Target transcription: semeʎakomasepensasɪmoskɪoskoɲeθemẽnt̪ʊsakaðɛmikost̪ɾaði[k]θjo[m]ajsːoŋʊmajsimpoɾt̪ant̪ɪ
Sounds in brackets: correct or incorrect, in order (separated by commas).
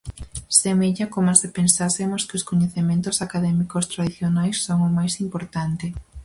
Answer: incorrect, incorrect